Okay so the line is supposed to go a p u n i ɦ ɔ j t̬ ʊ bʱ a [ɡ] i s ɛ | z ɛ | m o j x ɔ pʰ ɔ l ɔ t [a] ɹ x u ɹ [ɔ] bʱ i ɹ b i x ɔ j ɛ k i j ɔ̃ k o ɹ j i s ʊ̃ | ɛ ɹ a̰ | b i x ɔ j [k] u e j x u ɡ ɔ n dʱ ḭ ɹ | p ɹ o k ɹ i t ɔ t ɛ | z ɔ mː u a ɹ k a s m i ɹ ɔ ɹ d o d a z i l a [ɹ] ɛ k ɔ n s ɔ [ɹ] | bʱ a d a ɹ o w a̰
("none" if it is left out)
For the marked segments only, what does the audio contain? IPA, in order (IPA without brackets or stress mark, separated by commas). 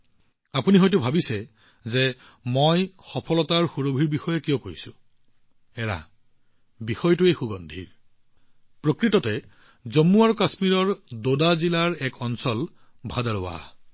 b, a, o, t, ɹ, l